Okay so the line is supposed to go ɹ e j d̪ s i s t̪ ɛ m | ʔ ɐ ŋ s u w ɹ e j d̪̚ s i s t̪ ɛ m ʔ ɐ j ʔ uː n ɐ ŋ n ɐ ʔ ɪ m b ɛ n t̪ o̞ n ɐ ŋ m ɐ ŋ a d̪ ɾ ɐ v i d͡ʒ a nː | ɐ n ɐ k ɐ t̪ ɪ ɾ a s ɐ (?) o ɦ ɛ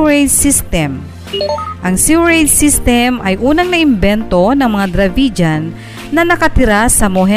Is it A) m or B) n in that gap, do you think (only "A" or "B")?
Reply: A